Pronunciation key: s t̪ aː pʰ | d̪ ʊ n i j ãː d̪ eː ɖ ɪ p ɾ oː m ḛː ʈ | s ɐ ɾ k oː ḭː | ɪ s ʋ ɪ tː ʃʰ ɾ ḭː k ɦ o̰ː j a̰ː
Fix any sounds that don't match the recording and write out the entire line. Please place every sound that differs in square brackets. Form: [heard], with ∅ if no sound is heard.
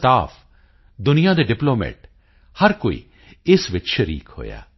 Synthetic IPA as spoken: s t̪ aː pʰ | d̪ ʊ n i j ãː d̪ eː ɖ ɪ p [l] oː m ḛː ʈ | [h] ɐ ɾ k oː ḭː | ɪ s ʋ ɪ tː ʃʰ ɾ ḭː k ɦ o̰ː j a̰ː